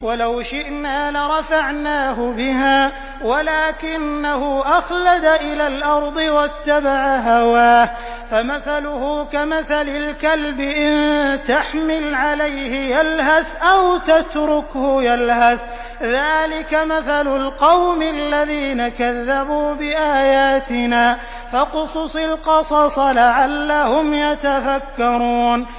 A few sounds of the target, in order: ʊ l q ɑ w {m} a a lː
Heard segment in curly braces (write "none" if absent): m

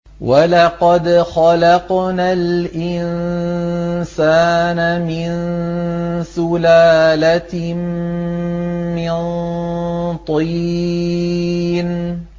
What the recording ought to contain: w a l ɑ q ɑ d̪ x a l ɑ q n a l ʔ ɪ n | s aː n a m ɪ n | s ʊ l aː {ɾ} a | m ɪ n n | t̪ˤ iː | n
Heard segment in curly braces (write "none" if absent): l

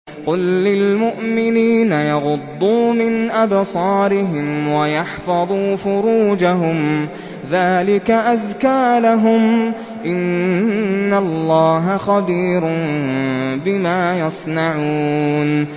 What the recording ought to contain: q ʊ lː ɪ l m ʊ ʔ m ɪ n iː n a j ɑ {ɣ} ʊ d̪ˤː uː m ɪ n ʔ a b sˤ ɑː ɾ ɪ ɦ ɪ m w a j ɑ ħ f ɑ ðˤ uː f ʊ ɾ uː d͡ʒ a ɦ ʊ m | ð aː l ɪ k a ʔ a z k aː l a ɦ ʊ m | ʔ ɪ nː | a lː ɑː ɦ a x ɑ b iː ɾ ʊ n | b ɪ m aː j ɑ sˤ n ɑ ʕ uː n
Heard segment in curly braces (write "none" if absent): ɣ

